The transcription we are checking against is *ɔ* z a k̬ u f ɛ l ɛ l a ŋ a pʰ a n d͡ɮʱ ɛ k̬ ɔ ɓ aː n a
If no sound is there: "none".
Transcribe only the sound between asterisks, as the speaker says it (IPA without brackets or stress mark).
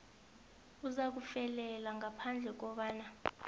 u